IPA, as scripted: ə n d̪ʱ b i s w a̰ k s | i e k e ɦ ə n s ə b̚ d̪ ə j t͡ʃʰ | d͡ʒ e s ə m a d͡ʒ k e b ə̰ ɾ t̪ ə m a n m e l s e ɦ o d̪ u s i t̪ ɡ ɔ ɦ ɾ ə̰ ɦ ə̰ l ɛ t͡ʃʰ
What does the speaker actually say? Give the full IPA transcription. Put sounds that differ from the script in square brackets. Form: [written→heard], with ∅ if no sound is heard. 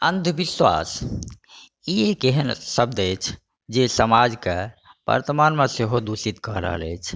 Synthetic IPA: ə n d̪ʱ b i s w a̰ [k→∅] s | i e k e ɦ ə n s ə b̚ d̪ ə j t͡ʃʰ | d͡ʒ e s ə m a d͡ʒ k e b ə̰ ɾ t̪ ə m a n m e [l→∅] s e ɦ o d̪ u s i t̪ [ɡ→k] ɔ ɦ ɾ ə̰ ɦ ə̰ l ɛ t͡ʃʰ